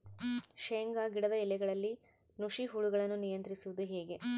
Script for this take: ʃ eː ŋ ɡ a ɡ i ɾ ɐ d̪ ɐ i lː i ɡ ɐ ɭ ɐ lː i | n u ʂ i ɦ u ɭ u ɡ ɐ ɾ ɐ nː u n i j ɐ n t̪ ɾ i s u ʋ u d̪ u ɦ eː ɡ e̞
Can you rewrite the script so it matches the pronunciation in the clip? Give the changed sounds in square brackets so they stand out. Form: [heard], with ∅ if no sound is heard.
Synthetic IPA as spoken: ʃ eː ŋ ɡ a ɡ i [ɽ] ɐ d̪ ɐ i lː [ɛ] ɡ ɐ ɭ ɐ lː i | n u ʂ i ɦ u ɭ u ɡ ɐ [ɭ] ɐ nː u n i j ɐ n t̪ ɾ i s u ʋ u d̪ u ɦ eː ɡ e̞